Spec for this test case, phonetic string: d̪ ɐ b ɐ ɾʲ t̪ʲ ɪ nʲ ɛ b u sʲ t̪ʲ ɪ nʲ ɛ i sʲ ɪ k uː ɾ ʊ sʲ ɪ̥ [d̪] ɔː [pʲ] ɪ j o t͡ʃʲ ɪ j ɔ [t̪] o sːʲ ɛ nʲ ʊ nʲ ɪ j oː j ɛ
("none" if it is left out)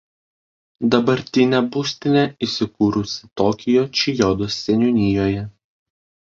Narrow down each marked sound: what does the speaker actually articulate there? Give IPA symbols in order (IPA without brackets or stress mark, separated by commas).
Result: t̪, kʲ, d̪